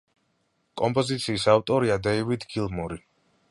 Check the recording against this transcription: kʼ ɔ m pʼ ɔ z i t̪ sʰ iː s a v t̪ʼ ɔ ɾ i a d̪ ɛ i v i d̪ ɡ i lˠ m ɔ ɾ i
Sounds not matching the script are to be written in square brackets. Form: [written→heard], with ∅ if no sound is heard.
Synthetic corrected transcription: kʼ ɔ m pʼ ɔ z i t̪ sʰ iː s a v t̪ʼ ɔ ɾ i a d̪ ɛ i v i d̪ ɡ i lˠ m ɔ ɾ i